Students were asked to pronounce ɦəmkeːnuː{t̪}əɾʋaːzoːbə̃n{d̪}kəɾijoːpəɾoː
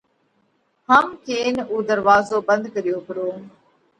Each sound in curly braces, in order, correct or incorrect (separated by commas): incorrect, correct